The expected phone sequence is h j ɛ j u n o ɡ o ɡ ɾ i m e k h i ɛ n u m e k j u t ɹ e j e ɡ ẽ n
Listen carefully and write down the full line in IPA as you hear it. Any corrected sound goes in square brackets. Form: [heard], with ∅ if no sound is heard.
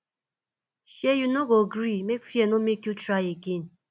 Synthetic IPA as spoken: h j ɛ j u n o ɡ o ɡ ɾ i m e k [f] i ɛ n [o] m e k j u t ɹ [a] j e ɡ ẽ n